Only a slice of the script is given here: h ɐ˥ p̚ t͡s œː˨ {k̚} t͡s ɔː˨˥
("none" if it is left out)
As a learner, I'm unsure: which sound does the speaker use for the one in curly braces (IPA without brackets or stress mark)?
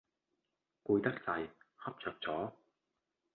k̚